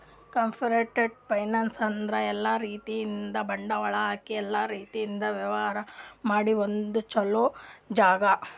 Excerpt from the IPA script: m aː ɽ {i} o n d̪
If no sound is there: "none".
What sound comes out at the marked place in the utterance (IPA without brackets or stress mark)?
i